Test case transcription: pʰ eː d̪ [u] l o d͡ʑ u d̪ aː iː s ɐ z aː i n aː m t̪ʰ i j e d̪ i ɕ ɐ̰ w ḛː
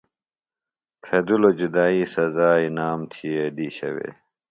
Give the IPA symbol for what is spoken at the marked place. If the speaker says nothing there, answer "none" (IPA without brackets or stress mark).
u